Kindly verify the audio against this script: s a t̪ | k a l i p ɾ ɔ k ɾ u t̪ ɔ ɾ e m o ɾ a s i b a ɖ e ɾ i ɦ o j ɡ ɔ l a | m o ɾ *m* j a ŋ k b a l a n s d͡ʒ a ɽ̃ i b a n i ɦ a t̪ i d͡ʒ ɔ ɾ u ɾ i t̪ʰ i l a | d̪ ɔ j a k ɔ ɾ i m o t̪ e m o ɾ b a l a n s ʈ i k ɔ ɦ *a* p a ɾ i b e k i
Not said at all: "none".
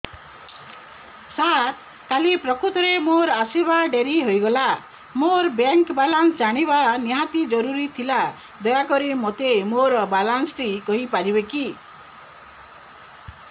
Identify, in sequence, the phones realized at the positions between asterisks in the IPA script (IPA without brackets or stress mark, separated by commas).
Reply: b, i